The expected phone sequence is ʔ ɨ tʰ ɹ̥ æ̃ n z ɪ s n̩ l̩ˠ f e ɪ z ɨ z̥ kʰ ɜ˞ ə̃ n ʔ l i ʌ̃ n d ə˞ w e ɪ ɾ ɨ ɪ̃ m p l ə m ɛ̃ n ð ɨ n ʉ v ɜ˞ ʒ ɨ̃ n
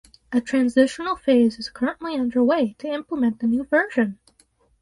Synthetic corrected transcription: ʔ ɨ tʰ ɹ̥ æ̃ n z ɪ ʃ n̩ l̩ˠ f e ɪ z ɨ z̥ kʰ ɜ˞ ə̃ n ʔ l i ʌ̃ n d ə˞ w e ɪ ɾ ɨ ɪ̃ m p l ə m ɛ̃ n ð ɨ n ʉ v ɜ˞ ʒ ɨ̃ n